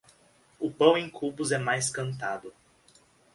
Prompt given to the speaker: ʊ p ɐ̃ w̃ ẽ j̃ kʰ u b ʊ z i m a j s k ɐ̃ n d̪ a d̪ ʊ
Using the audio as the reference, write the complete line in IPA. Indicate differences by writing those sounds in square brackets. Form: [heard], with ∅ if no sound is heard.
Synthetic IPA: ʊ p ɐ̃ w̃ ẽ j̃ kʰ u b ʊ z [ɛ] m a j s k ɐ̃ n [t̪] a d̪ ʊ